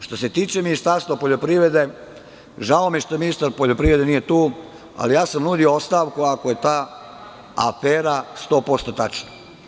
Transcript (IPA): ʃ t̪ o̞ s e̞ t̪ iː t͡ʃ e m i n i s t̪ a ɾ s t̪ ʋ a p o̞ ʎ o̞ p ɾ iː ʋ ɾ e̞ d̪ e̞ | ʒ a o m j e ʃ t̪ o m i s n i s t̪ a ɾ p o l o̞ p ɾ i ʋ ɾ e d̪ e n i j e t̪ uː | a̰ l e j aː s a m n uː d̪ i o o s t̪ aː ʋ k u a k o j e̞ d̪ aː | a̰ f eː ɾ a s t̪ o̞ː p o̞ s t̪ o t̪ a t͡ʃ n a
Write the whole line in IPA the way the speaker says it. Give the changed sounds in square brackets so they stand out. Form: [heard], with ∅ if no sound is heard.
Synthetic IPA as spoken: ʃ t̪ o̞ s e̞ t̪ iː t͡ʃ e m i n i s t̪ a ɾ s t̪ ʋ a p o̞ ʎ o̞ p ɾ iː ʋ ɾ e̞ d̪ e̞ | ʒ a o m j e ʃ t̪ o m i [∅] n i s t̪ a ɾ p o [ʎ] o̞ p ɾ i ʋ ɾ e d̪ e n i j e t̪ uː | a̰ l [i] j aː s a m n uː d̪ i o o s t̪ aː ʋ k u a k o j e̞ [t̪] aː | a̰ f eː ɾ a s t̪ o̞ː p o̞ s t̪ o t̪ a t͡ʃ n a